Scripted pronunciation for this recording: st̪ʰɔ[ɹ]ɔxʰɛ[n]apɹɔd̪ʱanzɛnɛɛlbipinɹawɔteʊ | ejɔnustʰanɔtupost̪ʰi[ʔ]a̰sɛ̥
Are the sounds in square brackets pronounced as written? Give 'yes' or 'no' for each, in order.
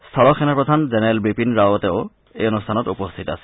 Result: no, yes, no

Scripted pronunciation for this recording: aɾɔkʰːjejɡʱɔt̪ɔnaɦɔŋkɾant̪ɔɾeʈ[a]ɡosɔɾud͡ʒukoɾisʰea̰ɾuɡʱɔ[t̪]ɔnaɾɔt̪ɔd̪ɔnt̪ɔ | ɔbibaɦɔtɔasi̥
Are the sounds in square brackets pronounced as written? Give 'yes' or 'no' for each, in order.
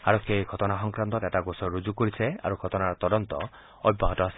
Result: yes, yes

